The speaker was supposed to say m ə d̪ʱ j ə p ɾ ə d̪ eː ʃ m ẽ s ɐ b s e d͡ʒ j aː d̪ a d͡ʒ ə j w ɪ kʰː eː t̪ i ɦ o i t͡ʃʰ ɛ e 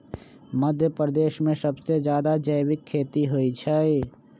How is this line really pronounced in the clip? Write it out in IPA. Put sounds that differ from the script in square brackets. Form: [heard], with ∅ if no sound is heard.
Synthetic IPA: m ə d̪ʱ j ə p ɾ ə d̪ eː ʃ m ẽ s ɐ b s e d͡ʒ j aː d̪ a d͡ʒ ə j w ɪ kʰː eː t̪ i ɦ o i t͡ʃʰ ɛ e